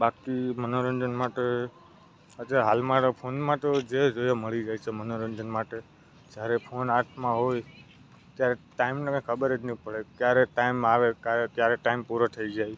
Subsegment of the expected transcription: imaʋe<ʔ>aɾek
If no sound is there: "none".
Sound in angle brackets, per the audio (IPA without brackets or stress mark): k